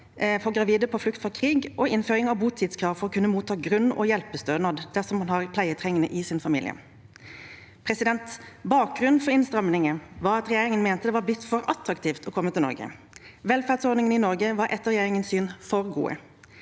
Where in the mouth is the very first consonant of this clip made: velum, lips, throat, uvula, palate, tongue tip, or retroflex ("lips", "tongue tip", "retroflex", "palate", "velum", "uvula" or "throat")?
lips